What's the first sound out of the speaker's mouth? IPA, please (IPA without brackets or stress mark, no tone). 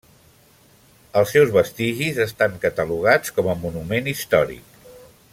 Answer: ə